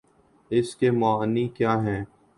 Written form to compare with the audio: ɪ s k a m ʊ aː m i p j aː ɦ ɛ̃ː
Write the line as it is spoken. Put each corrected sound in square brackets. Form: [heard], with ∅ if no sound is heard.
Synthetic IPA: ɪ s k [e] m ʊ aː [n] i [k] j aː ɦ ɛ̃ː